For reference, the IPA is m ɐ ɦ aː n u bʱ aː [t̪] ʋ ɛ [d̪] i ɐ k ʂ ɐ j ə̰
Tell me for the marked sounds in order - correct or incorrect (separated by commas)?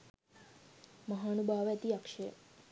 incorrect, incorrect